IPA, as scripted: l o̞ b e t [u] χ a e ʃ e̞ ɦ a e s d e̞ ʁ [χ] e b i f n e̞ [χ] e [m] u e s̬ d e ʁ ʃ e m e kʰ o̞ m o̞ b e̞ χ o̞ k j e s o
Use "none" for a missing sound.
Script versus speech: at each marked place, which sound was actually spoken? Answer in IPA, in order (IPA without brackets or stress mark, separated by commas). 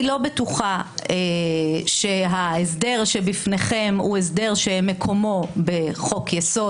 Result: u, ʃ, χ, m